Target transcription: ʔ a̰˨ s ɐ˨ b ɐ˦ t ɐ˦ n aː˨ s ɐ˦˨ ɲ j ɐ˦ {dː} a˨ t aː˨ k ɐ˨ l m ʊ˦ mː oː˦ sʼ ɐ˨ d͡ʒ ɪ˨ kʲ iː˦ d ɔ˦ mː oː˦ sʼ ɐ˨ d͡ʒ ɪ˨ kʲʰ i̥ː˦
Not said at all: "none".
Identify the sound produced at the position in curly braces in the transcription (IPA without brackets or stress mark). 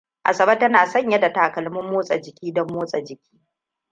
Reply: d